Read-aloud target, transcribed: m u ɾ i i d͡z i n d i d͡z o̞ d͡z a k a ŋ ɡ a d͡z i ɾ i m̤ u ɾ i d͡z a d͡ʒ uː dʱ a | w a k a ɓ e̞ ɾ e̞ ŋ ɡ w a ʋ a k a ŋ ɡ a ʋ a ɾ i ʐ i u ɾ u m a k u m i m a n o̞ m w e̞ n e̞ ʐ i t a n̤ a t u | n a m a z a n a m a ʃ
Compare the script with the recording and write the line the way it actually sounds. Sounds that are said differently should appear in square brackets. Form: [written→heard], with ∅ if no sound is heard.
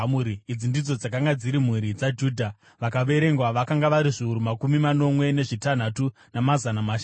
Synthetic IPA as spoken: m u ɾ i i d͡z i n d i d͡z o̞ d͡z a k a ŋ ɡ a d͡z i ɾ i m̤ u ɾ i d͡z a d͡ʒ uː dʱ a | [w→ʋ] a k a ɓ e̞ ɾ e̞ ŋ ɡ w a ʋ a k a ŋ ɡ a ʋ a ɾ i ʐ i u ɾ u m a k u m i m a n o̞ m w e̞ n e̞ ʐ i t a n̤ a t u | n a m a z a n a m a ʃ